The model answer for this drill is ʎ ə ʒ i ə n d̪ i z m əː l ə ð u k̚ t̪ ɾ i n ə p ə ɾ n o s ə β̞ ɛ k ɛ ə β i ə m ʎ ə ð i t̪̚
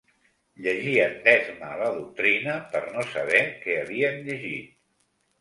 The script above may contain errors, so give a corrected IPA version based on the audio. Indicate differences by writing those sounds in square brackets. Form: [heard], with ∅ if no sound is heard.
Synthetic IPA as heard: ʎ ə ʒ i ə n d̪ [ɛ] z m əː l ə ð u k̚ t̪ ɾ i n ə p ə ɾ n o s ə β̞ ɛ k ɛ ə β i ə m ʎ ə [ʒ] i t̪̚